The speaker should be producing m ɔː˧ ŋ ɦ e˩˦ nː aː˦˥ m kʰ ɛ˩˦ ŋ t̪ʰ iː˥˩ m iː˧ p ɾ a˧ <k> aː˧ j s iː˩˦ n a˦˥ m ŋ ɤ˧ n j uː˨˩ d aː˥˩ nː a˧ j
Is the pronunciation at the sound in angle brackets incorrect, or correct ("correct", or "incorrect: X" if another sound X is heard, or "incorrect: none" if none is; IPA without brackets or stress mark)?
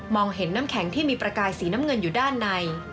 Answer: correct